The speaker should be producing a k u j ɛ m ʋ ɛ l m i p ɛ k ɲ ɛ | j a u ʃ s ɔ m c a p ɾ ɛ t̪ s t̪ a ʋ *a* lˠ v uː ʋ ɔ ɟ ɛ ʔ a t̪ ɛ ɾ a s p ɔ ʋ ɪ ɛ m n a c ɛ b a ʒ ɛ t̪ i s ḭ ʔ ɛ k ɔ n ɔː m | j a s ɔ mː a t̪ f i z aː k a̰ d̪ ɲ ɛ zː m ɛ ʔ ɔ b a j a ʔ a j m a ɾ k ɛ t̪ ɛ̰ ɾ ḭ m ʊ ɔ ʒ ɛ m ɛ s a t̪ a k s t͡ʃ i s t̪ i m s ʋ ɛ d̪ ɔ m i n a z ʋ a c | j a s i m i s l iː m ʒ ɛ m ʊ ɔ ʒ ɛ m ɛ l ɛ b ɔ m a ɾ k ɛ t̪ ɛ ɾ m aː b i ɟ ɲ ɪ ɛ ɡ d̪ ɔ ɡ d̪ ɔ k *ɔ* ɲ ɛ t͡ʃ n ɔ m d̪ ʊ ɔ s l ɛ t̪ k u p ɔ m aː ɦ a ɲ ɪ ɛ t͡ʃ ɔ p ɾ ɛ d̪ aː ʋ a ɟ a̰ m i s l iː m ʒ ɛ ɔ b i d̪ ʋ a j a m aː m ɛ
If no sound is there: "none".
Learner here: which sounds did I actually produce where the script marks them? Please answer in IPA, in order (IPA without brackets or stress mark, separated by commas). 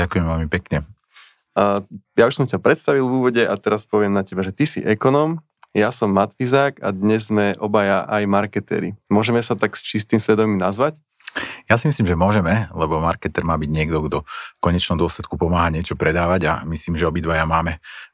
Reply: i, ɔ